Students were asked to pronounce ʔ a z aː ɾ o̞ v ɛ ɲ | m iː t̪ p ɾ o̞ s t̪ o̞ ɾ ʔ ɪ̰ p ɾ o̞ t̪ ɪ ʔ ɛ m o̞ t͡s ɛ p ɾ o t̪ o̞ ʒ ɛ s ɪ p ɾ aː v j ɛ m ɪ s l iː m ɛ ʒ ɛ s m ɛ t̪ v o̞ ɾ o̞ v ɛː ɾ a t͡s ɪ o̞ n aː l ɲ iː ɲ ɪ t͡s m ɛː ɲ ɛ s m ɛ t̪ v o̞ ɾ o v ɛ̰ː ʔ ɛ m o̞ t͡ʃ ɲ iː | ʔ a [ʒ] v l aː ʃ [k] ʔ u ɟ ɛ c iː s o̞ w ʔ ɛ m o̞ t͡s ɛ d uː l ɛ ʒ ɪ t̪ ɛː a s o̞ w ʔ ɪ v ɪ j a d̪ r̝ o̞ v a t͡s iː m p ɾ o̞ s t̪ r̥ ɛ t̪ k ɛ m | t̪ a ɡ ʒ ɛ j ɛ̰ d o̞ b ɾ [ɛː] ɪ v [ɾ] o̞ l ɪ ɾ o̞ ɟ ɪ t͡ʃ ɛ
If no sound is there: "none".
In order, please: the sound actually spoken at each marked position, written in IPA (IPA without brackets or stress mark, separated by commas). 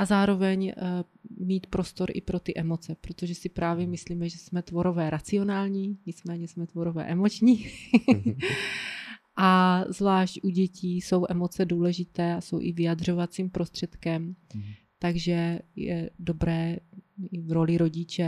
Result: z, c, ɛː, ɾ